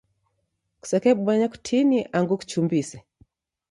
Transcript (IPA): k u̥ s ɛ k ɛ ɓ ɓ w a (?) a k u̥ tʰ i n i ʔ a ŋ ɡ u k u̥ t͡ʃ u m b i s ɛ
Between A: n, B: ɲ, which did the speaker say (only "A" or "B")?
B